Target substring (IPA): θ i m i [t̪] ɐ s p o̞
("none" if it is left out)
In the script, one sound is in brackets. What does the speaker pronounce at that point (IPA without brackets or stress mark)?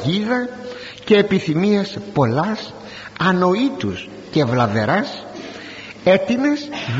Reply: none